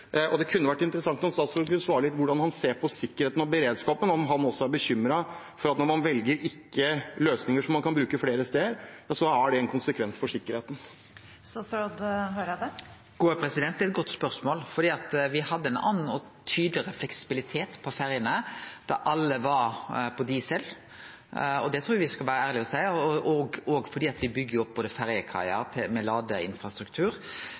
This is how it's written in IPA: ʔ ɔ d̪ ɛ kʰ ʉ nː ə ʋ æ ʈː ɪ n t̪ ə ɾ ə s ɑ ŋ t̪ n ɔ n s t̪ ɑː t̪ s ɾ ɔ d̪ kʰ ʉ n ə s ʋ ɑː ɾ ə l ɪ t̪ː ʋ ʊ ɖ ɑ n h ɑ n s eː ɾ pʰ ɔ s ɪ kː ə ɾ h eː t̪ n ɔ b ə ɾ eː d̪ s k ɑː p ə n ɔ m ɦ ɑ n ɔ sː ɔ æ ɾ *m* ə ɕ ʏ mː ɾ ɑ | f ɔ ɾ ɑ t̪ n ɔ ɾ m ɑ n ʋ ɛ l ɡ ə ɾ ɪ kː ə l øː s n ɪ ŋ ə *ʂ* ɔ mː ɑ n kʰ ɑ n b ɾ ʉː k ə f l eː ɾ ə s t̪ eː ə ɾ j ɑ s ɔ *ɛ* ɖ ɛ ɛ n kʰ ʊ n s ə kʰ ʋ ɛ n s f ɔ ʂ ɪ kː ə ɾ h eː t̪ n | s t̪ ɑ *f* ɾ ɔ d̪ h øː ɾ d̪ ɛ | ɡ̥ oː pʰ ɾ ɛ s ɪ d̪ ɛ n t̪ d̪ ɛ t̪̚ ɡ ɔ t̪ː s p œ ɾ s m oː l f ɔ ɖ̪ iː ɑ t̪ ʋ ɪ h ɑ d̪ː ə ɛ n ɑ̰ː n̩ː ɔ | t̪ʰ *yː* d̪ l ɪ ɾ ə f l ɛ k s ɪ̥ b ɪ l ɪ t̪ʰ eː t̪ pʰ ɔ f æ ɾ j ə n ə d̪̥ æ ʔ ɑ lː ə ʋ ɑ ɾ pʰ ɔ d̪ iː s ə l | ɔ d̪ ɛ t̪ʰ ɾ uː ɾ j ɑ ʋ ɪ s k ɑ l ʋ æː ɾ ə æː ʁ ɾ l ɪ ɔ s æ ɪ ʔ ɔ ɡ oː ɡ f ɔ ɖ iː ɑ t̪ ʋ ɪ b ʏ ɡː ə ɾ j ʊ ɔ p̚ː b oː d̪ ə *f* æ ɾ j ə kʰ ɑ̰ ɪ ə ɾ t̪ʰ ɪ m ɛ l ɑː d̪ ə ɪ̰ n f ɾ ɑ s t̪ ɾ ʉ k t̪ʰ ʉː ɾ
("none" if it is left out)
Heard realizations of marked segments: b, ʂ, æ, s, yː, f

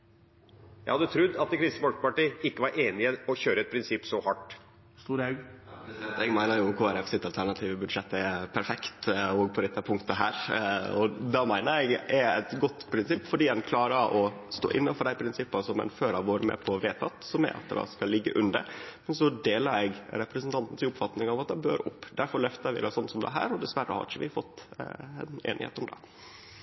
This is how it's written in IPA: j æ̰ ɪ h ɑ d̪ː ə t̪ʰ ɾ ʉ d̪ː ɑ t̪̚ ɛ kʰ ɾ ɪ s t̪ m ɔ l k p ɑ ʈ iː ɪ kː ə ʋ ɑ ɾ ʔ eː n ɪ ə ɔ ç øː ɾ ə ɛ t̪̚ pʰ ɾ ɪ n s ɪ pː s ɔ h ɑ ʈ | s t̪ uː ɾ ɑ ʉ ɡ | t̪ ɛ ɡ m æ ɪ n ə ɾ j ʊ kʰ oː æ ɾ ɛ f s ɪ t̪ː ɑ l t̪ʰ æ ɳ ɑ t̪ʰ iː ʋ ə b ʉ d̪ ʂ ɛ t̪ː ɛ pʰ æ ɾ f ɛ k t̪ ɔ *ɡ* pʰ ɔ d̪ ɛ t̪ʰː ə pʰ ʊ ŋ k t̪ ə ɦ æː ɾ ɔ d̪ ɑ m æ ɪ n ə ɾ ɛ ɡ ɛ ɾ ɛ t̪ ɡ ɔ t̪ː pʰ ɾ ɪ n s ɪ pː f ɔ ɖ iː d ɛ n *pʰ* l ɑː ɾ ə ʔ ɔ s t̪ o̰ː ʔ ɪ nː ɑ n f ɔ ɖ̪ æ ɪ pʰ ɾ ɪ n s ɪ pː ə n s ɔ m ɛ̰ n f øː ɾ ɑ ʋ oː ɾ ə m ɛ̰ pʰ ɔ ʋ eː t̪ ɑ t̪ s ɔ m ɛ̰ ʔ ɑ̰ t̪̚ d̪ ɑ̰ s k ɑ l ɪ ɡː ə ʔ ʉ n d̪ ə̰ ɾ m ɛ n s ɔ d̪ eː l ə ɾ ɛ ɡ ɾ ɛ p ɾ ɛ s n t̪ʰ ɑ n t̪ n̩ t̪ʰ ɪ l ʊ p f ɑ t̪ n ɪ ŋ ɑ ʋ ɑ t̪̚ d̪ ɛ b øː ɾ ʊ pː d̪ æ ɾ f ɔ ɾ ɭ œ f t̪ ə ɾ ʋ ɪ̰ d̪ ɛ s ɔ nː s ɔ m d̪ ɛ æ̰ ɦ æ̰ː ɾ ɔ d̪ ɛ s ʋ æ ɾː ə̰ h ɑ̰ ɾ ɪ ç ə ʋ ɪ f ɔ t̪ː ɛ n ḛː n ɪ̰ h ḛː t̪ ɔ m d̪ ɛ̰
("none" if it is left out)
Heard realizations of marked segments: ɡ, kʰ

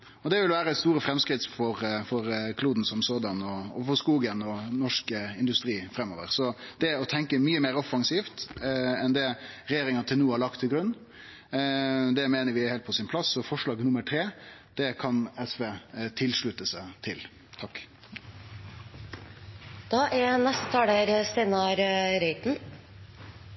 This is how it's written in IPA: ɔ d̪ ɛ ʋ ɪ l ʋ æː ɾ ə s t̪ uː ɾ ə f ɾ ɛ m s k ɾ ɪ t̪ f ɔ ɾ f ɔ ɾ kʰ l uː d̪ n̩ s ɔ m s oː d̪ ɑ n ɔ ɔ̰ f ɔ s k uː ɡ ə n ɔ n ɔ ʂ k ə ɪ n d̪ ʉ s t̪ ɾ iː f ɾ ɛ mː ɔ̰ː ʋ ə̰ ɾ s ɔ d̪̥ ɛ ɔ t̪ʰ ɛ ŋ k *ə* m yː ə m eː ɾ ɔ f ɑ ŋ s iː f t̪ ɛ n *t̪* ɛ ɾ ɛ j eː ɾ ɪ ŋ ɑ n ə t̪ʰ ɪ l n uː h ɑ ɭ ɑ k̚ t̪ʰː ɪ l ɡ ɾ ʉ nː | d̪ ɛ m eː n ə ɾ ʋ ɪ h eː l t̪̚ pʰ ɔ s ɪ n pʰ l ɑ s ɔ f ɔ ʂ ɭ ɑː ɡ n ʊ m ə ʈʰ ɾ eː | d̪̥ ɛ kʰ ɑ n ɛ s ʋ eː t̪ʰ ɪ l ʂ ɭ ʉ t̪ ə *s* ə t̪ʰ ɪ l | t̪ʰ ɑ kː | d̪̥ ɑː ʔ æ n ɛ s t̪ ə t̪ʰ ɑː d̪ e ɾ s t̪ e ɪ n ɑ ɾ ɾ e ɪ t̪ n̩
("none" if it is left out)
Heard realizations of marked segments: ə, d̪, s

